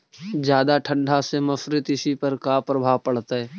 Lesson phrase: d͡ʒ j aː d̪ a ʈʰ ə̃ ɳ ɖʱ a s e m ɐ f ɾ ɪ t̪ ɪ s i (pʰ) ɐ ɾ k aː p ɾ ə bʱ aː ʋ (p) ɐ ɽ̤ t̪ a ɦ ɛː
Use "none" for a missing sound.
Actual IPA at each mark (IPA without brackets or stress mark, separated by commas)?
p, p